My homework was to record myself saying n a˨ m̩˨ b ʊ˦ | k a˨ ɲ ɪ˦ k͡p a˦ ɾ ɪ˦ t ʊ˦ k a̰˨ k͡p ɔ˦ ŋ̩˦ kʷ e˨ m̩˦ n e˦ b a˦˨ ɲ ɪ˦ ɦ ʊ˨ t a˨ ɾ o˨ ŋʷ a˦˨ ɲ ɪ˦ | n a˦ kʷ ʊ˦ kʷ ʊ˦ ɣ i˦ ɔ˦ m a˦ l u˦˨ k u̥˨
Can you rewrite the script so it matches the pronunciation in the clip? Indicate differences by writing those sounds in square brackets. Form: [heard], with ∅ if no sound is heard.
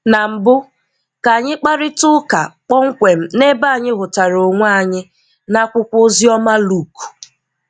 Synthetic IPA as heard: n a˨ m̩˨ b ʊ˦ | k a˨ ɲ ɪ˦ k͡p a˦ ɾ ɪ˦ t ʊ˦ k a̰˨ k͡p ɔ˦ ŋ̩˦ kʷ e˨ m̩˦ n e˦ b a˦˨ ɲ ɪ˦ ɦ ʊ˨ t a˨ ɾ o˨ ŋʷ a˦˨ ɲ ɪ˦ | n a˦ kʷ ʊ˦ kʷ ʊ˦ [z] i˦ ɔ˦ m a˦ l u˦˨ k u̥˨